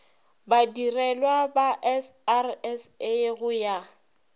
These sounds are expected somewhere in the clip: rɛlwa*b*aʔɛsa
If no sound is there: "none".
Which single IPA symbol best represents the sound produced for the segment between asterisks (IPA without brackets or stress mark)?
b